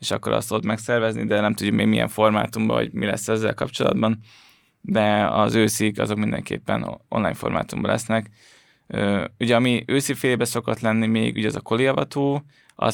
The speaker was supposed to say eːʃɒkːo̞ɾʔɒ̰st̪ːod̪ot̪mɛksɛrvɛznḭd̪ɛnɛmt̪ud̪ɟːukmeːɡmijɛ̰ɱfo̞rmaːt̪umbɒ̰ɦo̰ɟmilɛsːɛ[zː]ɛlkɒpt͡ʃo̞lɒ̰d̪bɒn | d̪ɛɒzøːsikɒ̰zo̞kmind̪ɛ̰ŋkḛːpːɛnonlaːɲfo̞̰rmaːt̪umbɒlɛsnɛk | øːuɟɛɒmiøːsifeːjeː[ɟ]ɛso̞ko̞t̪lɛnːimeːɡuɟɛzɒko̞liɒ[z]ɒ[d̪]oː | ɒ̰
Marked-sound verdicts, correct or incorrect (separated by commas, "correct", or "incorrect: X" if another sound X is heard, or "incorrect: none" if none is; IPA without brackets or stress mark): correct, incorrect: b, incorrect: v, incorrect: t̪